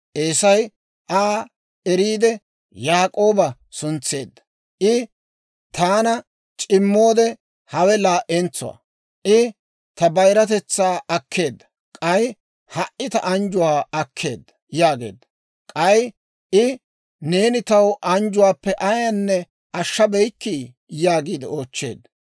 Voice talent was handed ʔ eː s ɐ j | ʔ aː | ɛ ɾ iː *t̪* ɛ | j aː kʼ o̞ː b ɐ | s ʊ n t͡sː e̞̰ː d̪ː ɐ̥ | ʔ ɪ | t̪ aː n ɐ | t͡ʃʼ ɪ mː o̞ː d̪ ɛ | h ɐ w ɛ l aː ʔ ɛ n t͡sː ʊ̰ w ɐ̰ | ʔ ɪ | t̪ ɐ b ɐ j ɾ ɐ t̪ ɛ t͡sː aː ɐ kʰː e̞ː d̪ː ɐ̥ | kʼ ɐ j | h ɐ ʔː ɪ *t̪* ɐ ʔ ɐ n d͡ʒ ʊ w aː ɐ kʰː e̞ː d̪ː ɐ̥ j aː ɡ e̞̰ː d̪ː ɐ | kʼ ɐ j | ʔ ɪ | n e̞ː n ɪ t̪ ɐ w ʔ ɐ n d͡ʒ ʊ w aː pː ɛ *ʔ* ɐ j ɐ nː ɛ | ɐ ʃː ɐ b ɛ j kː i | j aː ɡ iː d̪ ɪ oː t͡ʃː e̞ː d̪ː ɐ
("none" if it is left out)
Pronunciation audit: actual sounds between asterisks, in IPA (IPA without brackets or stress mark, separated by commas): d̪, t̪, ʔ